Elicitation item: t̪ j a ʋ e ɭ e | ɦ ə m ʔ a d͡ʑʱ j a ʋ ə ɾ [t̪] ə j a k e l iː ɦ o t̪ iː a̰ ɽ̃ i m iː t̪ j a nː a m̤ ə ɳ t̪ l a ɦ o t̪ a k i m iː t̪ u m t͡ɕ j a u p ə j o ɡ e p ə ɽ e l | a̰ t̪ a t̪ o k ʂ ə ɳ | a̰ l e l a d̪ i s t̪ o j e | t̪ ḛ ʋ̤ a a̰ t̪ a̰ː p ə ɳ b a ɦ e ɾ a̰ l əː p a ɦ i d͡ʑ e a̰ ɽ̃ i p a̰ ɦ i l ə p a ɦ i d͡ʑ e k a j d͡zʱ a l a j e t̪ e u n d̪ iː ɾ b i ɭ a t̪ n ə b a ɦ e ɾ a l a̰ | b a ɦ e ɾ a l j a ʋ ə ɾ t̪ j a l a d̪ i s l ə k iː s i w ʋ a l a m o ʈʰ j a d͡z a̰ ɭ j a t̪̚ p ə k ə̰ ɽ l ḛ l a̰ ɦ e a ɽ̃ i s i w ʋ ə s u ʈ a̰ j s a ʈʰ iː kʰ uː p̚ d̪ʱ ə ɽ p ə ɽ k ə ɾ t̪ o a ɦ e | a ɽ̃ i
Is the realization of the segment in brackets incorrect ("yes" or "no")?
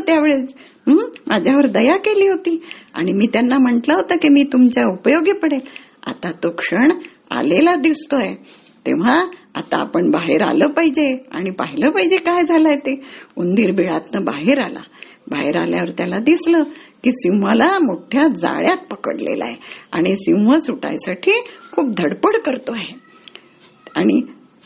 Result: yes